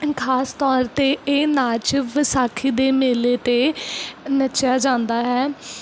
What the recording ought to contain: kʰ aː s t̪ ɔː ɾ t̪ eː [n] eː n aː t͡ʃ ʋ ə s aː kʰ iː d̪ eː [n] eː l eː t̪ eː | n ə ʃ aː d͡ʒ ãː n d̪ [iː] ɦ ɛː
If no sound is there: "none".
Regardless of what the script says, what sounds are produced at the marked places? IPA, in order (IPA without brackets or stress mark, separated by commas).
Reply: none, m, aː